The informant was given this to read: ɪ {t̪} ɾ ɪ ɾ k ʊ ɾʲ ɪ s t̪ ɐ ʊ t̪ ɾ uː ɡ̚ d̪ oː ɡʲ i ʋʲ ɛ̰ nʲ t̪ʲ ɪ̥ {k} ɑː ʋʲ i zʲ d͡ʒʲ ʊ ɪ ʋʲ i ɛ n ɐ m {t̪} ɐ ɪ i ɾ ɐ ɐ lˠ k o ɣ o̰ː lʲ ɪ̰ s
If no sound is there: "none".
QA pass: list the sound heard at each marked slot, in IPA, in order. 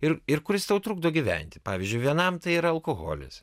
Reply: none, p, t̪

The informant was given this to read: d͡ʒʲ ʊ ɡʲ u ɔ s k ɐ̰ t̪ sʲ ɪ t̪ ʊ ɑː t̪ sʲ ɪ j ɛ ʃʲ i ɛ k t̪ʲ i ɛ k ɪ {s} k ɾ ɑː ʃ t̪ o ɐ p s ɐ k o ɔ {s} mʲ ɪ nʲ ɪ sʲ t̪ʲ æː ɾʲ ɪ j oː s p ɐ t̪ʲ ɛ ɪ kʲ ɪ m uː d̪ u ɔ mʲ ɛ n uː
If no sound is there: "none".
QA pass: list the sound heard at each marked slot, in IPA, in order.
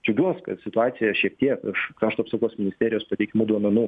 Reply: ʃ, s

